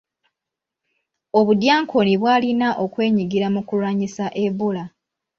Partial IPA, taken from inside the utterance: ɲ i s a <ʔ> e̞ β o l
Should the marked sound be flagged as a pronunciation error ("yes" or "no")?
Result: no